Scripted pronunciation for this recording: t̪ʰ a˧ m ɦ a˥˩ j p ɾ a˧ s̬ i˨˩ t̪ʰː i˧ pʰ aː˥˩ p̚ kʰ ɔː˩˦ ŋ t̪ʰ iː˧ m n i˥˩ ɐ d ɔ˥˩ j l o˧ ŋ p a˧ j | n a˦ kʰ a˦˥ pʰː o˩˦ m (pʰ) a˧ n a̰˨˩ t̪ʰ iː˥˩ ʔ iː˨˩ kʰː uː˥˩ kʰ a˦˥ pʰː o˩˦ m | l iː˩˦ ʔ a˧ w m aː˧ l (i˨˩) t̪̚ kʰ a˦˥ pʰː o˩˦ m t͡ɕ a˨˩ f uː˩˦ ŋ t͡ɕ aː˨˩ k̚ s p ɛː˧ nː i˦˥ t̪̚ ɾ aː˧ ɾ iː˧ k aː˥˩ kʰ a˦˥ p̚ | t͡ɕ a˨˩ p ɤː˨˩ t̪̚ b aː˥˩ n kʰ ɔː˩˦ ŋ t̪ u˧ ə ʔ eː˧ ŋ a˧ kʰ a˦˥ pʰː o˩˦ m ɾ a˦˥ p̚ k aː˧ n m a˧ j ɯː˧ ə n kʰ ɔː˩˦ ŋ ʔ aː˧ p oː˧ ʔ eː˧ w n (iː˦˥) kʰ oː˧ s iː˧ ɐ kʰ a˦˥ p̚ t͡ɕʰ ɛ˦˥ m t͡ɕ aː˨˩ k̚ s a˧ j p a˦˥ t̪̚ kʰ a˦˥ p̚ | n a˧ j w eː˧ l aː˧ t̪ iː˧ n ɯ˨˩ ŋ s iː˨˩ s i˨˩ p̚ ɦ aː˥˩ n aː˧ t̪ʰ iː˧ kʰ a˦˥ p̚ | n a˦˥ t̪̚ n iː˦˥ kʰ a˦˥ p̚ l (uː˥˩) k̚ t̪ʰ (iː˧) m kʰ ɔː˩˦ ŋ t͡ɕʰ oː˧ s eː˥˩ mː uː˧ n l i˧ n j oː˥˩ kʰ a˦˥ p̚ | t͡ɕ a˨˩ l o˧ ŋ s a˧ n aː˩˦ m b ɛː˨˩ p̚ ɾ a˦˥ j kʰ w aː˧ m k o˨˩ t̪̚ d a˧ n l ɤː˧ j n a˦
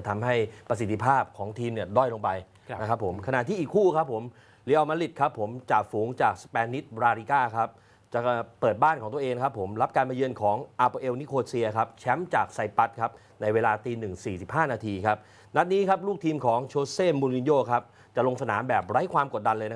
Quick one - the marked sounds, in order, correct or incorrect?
incorrect, correct, incorrect, correct, correct

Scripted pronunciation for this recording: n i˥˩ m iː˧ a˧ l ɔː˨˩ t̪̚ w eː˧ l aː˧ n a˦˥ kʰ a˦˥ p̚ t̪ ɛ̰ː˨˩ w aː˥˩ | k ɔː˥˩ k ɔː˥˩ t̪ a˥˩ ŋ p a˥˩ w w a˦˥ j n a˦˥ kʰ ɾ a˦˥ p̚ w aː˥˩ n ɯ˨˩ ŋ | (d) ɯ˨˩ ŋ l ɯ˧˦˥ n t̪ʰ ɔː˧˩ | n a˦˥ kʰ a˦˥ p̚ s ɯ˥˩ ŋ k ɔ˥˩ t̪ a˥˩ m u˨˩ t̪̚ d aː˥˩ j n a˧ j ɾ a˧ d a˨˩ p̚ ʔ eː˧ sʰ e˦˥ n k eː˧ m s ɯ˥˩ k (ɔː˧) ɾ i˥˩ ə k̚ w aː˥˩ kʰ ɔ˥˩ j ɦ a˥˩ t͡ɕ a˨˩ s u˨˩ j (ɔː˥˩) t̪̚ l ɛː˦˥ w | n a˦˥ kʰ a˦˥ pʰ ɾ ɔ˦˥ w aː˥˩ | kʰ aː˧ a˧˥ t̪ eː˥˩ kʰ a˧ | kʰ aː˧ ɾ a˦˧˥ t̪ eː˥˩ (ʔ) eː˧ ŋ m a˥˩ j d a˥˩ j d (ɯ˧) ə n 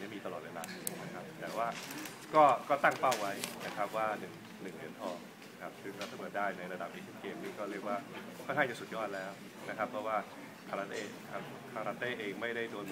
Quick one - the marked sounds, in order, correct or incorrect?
incorrect, incorrect, correct, correct, incorrect

